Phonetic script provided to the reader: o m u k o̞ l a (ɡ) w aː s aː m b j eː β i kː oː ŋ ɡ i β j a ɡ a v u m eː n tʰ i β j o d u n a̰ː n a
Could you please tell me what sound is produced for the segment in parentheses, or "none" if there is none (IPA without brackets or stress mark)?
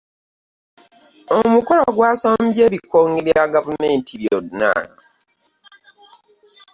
ɡ